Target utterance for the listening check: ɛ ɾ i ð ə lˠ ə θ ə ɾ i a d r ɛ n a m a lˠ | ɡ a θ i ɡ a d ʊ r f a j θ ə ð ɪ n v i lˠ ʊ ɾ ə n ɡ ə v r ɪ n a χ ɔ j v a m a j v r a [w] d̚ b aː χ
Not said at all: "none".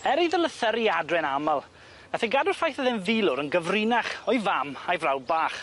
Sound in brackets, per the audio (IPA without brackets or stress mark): w